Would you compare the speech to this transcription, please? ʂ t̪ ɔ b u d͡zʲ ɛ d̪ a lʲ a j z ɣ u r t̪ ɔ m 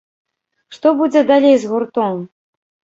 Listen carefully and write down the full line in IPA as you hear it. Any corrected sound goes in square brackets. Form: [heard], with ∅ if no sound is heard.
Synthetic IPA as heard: ʂ t̪ ɔ b u d͡zʲ ɛ d̪ a lʲ [e] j z ɣ u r t̪ ɔ m